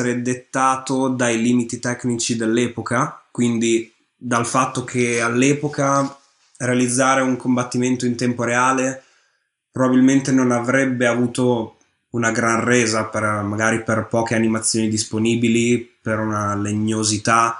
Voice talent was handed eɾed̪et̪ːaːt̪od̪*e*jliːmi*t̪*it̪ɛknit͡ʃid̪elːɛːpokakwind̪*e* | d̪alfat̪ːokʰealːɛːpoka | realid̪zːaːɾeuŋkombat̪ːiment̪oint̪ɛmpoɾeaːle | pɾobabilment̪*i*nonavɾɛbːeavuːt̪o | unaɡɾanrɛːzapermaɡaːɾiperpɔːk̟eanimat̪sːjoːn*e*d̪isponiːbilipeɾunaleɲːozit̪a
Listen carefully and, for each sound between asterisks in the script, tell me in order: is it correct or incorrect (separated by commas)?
incorrect, correct, incorrect, incorrect, incorrect